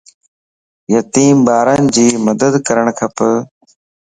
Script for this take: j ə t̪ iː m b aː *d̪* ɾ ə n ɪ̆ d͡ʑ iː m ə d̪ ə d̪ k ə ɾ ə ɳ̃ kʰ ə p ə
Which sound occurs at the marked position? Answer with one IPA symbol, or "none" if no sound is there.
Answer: none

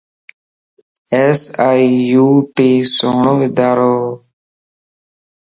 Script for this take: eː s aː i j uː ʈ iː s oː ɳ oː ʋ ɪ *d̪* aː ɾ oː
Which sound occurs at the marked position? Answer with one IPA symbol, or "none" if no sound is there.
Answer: d̪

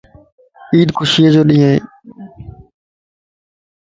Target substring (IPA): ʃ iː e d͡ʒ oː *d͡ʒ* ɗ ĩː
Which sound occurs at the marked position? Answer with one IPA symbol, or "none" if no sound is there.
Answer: none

